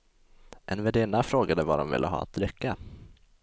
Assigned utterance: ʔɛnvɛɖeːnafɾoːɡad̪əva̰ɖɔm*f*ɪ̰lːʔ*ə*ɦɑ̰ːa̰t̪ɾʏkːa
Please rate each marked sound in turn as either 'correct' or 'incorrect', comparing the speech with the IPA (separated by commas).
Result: incorrect, correct